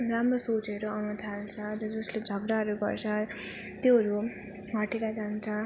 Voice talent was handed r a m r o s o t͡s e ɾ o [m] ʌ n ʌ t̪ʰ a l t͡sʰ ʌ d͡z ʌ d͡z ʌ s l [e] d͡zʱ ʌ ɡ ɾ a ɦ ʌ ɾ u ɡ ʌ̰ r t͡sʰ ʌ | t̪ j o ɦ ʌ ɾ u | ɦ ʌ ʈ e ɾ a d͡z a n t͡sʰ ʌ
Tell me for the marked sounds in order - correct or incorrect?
incorrect, correct

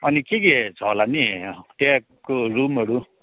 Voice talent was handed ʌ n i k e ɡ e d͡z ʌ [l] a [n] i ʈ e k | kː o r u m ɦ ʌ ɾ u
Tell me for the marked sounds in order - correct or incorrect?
correct, correct

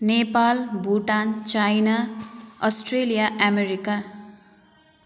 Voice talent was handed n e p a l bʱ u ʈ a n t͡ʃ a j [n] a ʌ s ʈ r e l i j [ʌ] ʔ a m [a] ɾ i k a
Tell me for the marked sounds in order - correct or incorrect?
correct, incorrect, incorrect

